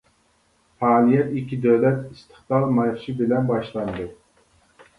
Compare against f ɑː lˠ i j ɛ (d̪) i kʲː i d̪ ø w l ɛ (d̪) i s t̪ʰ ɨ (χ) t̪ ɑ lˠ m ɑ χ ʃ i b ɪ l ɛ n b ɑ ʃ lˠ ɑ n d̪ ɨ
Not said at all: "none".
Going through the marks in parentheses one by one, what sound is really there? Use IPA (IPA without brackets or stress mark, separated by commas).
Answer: t̪, t̪, χ